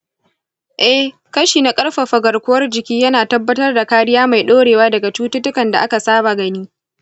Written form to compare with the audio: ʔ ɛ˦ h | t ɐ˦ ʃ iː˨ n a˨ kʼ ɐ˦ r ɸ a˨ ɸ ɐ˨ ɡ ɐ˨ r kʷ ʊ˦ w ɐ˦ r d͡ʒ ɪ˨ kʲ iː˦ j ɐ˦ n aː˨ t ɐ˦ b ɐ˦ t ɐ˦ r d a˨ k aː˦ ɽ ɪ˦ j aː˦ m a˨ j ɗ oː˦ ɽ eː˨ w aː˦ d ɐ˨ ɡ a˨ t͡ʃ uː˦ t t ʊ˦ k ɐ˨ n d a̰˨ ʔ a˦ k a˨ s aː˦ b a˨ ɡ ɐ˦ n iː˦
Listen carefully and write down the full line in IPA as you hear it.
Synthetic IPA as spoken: ʔ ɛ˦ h | k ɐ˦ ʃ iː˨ n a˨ kʼ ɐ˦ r ɸ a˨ ɸ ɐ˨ ɡ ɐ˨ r kʷ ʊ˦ w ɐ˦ r d͡ʒ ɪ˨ kʲ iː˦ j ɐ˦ n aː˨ t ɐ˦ bː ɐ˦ t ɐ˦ r d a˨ k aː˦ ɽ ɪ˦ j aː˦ m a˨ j ɗ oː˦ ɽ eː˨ w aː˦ d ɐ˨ ɡ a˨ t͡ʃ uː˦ t t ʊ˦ k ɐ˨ n d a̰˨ ʔ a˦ k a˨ s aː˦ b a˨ ɡ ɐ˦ n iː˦